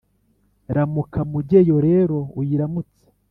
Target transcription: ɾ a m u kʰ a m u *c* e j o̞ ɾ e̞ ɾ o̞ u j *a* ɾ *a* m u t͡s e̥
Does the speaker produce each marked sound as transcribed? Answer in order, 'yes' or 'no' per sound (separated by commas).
no, no, yes